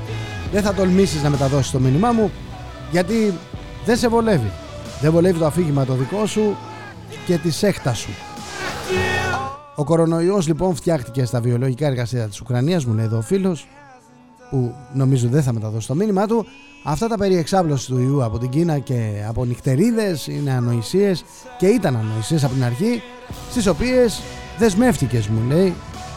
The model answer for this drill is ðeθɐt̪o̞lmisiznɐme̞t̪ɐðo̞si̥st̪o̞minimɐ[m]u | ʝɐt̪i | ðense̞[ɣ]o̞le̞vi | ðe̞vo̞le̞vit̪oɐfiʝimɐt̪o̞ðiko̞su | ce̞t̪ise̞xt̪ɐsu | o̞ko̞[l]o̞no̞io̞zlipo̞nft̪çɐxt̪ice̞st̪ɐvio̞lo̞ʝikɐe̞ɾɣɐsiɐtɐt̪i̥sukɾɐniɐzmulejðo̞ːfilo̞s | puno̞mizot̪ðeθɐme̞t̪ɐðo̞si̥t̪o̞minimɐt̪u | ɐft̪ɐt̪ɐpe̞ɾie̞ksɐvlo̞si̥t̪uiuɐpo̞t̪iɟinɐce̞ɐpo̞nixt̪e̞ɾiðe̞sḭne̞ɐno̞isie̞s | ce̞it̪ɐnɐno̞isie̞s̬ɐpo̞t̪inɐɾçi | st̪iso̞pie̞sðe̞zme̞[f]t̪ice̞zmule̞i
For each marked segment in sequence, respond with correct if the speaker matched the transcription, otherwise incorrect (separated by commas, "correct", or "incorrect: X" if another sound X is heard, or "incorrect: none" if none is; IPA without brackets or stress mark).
correct, incorrect: v, incorrect: ɾ, correct